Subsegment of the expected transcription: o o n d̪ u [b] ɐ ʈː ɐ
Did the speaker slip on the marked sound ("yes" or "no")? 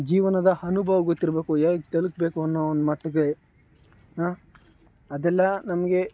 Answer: yes